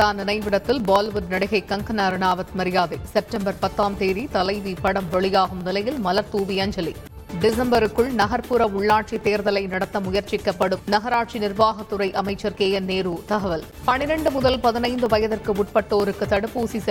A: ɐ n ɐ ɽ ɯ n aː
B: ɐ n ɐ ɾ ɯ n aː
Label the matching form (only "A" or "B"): B